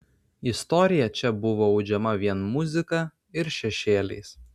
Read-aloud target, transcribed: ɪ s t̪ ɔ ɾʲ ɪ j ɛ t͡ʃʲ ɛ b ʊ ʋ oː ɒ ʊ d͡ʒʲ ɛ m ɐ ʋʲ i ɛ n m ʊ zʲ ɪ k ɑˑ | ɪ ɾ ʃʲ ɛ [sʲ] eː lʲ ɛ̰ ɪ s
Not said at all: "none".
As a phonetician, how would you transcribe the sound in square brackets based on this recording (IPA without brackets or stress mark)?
ʃʲ